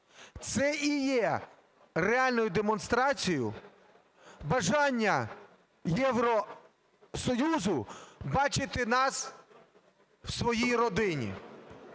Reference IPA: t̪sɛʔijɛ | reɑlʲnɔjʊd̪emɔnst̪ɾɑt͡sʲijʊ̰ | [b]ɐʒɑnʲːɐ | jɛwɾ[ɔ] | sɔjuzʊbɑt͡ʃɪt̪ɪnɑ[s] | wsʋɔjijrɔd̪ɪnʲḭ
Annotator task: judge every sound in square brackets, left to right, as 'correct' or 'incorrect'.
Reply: correct, correct, correct

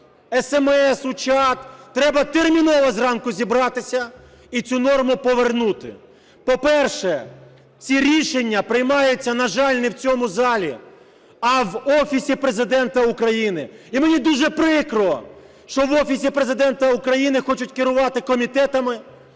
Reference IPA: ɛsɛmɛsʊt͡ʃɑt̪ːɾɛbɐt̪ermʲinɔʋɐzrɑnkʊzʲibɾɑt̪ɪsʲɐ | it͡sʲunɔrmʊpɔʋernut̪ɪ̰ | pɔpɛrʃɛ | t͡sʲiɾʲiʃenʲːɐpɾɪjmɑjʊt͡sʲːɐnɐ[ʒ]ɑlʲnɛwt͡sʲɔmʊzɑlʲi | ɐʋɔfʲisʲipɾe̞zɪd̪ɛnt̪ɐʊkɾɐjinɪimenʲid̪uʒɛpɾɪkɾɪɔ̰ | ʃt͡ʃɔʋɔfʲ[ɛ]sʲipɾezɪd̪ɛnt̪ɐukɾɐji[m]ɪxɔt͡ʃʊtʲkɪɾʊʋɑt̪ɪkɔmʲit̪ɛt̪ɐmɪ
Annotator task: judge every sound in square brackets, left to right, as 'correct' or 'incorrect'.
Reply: correct, incorrect: i, incorrect: n

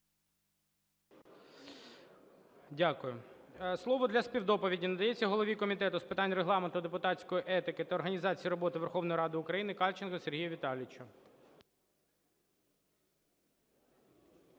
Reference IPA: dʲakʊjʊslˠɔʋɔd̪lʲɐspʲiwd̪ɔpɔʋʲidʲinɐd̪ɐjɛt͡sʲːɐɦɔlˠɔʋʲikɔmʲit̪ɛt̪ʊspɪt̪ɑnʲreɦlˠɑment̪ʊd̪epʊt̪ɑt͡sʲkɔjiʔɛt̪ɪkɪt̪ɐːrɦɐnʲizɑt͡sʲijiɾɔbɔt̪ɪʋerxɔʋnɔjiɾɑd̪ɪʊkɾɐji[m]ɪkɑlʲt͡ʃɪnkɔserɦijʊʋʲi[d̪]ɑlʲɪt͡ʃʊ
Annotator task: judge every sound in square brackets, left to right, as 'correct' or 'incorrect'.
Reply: incorrect: n, incorrect: t̪

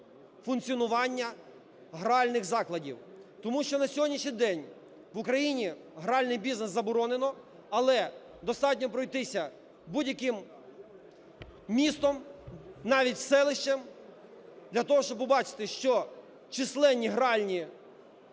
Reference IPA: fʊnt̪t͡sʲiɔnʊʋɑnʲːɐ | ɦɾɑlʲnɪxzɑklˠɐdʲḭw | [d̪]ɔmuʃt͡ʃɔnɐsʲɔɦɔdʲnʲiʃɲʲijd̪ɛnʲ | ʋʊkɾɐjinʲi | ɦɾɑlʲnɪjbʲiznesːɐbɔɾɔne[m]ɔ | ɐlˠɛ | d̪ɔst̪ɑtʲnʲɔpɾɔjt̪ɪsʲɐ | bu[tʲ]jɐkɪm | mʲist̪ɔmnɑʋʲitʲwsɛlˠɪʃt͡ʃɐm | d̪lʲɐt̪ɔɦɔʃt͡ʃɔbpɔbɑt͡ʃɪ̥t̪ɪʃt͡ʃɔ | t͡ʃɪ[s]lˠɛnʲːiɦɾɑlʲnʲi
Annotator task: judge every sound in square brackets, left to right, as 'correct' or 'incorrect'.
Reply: incorrect: t̪, incorrect: n, incorrect: dʲ, correct

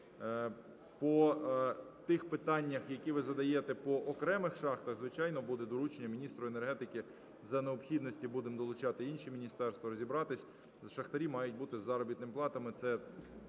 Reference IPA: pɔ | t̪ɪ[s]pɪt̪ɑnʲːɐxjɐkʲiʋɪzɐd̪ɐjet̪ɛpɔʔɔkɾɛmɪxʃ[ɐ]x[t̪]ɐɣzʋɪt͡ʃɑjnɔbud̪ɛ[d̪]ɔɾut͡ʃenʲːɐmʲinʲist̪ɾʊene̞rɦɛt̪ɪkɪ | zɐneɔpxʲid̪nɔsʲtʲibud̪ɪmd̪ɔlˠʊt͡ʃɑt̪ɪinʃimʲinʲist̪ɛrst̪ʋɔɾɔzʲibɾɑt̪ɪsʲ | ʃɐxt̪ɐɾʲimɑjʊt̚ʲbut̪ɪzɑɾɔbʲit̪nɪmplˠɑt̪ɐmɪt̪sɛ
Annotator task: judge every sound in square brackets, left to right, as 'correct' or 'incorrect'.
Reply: incorrect: x, incorrect: ɑ, correct, correct

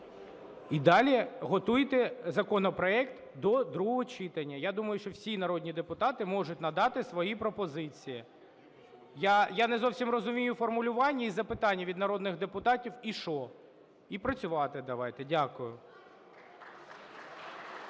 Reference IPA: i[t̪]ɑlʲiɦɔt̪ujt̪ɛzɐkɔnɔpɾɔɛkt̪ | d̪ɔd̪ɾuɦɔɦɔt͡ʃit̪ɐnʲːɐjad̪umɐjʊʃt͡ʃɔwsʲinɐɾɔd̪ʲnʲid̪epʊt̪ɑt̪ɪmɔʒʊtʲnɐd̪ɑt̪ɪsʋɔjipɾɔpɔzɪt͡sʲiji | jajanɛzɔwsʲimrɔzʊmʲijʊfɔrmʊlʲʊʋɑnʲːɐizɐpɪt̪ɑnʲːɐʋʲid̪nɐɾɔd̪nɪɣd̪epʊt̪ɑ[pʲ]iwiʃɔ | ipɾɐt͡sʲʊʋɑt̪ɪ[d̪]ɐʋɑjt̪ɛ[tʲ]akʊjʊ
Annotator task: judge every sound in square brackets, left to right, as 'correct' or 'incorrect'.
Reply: incorrect: d̪, incorrect: tʲ, correct, incorrect: dʲ

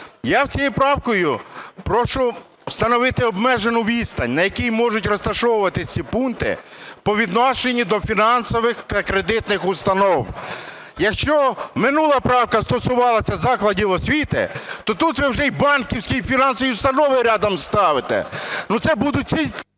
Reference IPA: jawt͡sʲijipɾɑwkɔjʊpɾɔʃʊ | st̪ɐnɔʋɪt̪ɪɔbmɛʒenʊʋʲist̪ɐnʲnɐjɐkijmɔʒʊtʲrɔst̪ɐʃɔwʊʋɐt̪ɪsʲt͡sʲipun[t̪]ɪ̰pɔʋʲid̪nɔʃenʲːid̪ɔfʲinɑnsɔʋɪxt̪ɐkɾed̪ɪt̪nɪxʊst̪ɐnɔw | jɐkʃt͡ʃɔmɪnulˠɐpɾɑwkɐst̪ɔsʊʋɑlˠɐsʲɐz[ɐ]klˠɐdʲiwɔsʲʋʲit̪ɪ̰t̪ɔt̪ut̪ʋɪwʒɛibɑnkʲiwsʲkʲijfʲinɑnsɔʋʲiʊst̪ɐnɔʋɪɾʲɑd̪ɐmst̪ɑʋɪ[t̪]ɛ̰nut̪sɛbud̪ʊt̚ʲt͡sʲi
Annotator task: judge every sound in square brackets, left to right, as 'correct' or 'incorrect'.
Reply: correct, incorrect: ɑ, correct

